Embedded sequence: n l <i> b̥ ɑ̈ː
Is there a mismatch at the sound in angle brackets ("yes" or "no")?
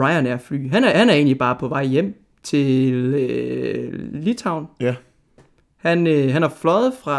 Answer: no